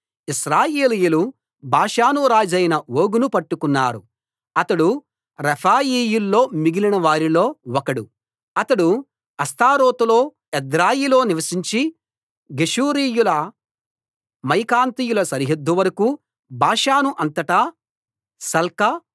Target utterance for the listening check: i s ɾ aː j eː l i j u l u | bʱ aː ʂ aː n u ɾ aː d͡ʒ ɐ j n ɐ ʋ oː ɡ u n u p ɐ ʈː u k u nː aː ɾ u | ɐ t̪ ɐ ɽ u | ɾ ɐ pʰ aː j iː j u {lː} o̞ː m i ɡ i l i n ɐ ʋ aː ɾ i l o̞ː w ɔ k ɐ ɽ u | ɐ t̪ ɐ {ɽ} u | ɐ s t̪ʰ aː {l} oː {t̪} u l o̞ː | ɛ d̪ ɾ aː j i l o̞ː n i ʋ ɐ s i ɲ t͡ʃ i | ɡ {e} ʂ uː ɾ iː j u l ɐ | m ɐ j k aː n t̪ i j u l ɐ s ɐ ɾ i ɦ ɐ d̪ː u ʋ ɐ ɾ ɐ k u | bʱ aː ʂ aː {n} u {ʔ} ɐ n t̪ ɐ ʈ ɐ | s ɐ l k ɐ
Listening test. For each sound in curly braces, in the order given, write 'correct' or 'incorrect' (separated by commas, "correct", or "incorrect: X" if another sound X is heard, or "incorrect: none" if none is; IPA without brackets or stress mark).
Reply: correct, correct, incorrect: ɾ, correct, correct, correct, correct